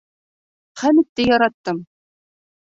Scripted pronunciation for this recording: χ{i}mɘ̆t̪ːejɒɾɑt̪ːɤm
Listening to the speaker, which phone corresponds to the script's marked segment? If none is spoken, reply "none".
æ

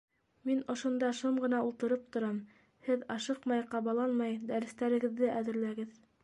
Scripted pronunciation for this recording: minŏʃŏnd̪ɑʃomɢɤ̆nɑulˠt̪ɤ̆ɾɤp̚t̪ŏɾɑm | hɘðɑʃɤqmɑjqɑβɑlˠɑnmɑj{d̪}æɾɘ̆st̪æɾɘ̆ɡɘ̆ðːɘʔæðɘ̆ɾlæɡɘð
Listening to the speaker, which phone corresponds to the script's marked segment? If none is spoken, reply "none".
d̪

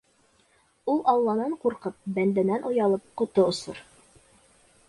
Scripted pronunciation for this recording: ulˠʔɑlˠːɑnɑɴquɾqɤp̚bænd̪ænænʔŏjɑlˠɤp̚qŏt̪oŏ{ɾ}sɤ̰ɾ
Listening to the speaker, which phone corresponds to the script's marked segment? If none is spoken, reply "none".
none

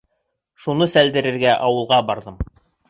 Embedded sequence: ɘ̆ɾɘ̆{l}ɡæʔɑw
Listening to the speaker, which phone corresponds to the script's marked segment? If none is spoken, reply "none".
ɾ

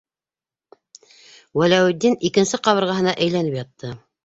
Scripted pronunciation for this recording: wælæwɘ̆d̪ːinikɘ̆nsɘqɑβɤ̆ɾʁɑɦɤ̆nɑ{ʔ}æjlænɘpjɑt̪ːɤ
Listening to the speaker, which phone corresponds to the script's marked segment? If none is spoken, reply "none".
ʔ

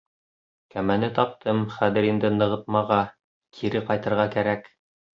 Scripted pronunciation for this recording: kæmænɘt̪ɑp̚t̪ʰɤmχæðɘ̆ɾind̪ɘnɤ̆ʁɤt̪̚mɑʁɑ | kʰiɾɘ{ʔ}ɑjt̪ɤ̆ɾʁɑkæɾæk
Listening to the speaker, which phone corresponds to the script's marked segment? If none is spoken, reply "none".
q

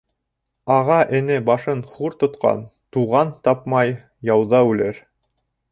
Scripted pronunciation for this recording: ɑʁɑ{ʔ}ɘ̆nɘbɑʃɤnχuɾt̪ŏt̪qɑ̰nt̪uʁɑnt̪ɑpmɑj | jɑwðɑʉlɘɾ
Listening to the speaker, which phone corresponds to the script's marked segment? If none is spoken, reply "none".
ʔ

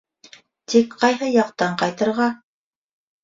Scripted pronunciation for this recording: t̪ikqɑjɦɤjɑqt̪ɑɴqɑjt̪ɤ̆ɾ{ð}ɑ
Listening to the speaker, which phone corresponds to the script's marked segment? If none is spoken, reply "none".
ʁ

